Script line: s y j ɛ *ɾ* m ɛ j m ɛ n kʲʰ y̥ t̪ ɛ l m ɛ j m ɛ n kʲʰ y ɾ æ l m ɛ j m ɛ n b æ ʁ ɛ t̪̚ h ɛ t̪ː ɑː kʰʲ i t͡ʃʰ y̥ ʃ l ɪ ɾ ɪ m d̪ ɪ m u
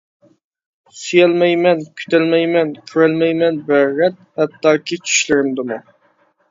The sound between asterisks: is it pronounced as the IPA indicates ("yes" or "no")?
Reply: no